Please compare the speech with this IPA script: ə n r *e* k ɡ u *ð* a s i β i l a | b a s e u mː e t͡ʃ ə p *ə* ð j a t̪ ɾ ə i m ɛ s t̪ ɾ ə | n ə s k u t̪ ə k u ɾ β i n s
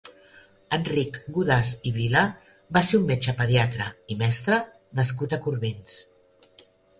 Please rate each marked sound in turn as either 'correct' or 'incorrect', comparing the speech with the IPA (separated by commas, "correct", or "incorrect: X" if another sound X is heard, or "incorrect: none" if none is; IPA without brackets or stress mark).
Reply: incorrect: i, correct, correct